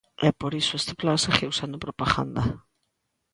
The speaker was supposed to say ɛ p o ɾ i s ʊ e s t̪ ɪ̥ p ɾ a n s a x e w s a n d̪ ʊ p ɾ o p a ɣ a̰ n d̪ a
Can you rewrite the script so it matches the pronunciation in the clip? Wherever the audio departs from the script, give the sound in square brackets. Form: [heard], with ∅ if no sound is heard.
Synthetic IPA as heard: ɛ p o ɾ i s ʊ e s t̪ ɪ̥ p [l] a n s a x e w s a n d̪ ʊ p ɾ o p a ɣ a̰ n d̪ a